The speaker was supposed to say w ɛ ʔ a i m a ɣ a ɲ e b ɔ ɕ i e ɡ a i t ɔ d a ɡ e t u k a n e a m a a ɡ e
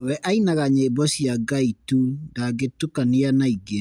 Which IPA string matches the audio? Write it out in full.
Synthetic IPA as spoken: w ɛ ʔ a i n a ɣ a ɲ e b ɔ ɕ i a ɡ a i t u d a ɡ e t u k a n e a n a i ɡ e